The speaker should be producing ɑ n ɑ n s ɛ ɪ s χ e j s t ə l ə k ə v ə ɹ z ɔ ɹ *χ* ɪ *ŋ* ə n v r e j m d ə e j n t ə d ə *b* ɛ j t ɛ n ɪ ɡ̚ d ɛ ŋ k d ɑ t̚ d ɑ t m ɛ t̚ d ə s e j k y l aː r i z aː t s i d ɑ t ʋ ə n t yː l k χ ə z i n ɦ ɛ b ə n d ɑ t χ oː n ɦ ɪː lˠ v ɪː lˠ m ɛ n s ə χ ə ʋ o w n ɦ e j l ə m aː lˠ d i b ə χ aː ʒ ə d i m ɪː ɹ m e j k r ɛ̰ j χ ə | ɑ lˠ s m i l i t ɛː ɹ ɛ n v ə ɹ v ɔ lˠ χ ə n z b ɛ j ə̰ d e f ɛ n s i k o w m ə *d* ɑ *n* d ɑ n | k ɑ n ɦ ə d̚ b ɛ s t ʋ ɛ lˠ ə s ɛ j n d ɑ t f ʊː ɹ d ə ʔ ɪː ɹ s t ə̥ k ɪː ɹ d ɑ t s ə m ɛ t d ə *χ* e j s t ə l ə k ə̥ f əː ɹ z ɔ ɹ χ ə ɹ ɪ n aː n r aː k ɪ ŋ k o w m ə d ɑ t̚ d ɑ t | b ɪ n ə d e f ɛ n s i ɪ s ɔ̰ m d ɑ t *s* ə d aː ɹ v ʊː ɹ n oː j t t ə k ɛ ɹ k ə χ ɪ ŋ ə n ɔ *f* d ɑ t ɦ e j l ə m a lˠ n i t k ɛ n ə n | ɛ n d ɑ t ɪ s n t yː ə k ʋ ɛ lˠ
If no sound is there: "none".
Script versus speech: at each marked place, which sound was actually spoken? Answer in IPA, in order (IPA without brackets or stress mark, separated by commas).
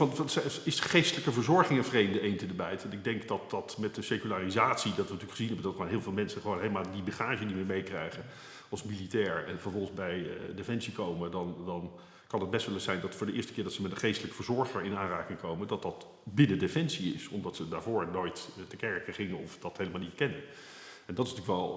χ, ŋ, b, d, n, χ, s, f